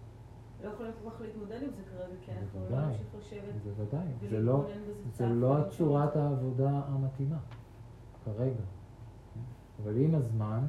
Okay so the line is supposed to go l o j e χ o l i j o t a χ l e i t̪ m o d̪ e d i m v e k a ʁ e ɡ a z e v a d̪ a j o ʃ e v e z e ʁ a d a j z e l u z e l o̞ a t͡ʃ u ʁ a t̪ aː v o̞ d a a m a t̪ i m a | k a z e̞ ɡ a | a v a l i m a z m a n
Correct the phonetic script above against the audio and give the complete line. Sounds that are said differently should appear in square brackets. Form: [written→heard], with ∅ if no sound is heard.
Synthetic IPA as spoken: l o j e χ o l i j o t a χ l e i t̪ m o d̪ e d i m [v→z] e k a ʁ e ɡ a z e v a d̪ a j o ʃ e v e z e [ʁ→v] a d a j z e l [u→o] z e l o̞ a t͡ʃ u ʁ a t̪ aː v o̞ d a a m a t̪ i m a | k a [z→ʁ] e̞ ɡ a | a v a l i m a z m a n